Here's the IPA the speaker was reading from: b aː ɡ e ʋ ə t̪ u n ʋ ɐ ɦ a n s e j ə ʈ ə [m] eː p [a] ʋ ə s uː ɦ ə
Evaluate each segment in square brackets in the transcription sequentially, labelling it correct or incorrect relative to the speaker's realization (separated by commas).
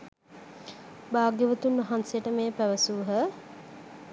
correct, incorrect